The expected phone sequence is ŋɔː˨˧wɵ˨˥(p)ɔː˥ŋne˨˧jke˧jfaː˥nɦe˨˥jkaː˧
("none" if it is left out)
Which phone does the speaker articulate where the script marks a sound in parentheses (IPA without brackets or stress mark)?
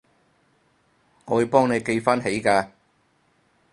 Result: p